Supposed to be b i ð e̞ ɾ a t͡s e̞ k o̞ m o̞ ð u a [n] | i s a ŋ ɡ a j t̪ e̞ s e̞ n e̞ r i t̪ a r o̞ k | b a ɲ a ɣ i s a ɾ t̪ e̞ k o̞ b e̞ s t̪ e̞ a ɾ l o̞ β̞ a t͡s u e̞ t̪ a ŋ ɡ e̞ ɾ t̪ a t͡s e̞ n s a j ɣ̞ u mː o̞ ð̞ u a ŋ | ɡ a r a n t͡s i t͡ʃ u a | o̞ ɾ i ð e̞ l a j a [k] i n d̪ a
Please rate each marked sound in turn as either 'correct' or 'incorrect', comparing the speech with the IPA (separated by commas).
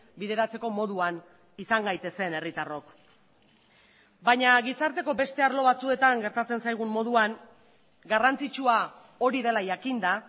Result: correct, correct